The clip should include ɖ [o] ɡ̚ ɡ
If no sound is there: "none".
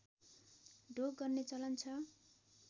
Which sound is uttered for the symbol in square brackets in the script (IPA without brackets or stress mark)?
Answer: o